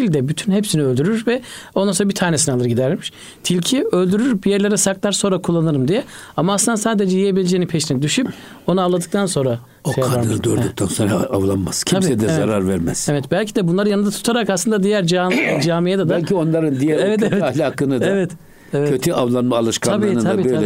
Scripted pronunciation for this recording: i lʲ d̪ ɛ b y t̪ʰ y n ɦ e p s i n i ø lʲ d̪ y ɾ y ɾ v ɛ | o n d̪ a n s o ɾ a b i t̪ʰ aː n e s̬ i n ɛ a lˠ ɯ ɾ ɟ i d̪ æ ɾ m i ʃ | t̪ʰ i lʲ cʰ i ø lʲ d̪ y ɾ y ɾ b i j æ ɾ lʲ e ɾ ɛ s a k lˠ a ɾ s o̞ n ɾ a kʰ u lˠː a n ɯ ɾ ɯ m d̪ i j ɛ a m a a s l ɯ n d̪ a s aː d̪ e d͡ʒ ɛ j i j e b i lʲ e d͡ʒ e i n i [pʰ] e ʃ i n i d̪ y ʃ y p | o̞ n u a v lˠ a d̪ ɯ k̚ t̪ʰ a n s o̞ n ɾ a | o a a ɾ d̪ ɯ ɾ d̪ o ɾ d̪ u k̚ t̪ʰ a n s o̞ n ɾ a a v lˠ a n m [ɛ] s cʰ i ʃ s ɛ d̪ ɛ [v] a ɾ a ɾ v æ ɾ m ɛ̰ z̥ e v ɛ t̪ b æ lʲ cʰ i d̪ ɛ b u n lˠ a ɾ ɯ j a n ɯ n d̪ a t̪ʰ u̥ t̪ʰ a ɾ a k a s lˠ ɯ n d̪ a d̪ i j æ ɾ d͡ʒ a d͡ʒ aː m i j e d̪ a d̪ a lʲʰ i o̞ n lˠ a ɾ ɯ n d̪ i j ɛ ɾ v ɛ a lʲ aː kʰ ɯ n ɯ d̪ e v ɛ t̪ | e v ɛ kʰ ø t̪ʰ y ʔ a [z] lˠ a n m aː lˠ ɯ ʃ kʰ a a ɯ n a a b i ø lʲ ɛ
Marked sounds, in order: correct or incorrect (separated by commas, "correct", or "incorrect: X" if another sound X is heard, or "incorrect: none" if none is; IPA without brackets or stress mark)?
correct, incorrect: a, incorrect: z, incorrect: v